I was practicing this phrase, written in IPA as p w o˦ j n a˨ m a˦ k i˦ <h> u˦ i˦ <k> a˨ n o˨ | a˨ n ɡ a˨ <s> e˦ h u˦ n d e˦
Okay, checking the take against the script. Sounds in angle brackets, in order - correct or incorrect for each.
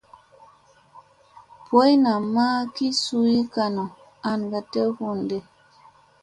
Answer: incorrect, correct, incorrect

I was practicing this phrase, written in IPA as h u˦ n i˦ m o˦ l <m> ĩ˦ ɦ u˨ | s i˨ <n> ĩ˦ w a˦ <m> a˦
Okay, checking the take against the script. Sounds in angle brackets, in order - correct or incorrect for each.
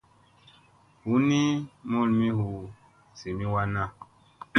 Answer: correct, incorrect, incorrect

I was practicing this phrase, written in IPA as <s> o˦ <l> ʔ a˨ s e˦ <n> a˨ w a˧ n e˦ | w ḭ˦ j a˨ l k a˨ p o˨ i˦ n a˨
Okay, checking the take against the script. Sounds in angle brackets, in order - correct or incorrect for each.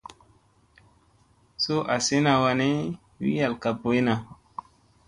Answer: correct, incorrect, correct

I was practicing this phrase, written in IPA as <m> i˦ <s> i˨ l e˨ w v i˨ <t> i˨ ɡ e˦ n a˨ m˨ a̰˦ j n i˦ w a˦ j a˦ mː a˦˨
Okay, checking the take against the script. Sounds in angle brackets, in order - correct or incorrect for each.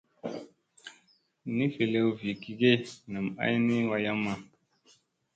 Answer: incorrect, incorrect, incorrect

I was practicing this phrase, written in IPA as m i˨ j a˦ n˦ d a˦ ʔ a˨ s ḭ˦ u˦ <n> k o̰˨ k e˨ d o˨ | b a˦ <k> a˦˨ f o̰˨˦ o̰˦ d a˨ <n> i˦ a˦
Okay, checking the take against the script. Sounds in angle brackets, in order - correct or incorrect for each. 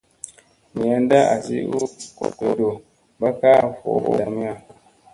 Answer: incorrect, correct, incorrect

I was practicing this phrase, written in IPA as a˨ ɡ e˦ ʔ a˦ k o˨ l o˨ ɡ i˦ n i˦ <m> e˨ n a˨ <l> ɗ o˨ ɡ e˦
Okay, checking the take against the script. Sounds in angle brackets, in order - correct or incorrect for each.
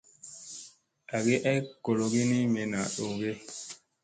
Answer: correct, incorrect

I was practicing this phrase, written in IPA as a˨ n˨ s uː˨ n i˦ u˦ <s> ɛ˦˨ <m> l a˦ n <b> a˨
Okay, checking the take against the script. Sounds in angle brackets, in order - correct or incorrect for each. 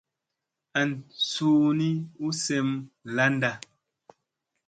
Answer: correct, correct, incorrect

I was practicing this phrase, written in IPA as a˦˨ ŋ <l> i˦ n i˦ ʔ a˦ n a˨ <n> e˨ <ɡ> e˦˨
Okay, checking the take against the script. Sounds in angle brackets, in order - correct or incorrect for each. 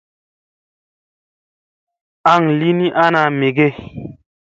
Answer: correct, incorrect, correct

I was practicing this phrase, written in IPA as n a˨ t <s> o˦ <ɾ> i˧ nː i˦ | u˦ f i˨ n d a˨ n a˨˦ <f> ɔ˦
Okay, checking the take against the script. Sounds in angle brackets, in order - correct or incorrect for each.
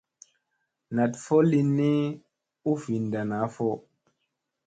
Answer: incorrect, incorrect, correct

